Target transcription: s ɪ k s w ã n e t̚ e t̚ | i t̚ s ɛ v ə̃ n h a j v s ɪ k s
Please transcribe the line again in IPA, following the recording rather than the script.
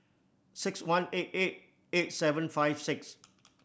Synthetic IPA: s ɪ k s w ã n e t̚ e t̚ | e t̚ s ɛ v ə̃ n f a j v s ɪ k s